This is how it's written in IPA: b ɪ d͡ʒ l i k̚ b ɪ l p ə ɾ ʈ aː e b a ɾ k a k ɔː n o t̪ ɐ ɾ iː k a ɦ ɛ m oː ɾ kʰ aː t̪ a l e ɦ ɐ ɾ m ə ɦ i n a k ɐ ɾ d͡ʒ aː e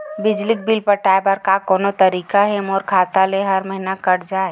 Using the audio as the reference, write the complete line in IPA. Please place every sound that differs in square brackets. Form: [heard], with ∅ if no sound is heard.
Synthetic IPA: b ɪ d͡ʒ l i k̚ b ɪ l p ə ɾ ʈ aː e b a ɾ k a k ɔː n o t̪ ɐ ɾ iː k a ɦ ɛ m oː ɾ kʰ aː t̪ a l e ɦ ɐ ɾ m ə ɦ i n a k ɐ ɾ d͡ʒ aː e